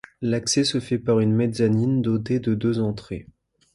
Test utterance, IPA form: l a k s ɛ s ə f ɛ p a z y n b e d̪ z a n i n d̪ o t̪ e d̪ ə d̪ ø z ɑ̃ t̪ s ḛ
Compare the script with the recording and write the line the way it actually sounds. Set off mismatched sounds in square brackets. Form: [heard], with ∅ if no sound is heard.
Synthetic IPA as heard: l a k s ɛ s ə f ɛ p a [ʁ] y n [m] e d̪ z a n i n d̪ o t̪ e d̪ ə d̪ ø z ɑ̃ t̪ [χ] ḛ